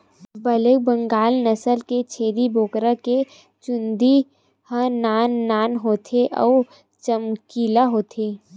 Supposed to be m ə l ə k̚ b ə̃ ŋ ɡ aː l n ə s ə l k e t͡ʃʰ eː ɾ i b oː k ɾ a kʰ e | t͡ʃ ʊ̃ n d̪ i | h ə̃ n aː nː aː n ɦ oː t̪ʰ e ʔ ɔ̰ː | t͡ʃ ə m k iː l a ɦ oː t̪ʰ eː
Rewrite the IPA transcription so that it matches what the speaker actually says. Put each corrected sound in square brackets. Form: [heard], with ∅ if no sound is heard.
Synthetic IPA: [b] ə l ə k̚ b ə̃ ŋ ɡ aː l n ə s ə l k e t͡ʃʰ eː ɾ i b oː k ɾ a [k] e | t͡ʃ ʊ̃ n d̪ i | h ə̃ n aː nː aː n ɦ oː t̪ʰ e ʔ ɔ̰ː | t͡ʃ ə m k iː l a ɦ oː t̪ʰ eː